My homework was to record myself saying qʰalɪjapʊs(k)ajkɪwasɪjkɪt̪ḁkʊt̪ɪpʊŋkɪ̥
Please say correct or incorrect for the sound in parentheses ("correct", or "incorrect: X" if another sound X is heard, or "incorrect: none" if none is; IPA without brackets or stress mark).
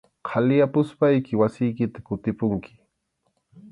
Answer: incorrect: p